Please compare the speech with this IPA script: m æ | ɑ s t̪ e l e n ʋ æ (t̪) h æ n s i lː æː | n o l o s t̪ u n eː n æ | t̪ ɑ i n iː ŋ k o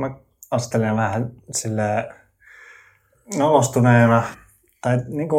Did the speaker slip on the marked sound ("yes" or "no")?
yes